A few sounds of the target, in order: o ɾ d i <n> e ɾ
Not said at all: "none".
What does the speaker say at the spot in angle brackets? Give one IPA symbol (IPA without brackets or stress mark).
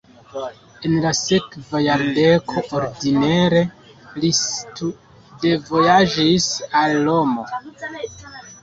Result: n